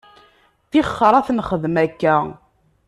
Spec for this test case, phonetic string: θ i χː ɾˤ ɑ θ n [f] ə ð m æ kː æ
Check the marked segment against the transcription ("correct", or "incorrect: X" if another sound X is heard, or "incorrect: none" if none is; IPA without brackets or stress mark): incorrect: χ